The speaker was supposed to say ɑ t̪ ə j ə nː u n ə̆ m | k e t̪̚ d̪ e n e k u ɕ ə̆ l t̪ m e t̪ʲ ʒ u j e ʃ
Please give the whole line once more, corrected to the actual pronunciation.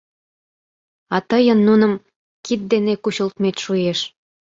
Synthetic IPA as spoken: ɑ t̪ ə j ə nː u n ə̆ m | k i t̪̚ d̪ e n e k u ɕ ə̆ l t̪ m e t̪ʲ ʃ u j e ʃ